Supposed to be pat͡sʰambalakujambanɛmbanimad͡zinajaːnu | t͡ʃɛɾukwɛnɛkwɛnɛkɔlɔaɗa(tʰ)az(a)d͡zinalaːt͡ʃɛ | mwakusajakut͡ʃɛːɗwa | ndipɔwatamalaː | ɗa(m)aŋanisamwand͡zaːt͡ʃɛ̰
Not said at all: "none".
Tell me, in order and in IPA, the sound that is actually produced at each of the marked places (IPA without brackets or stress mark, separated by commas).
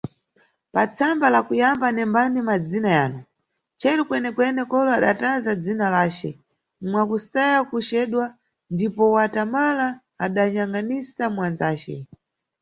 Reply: t, a, ɲ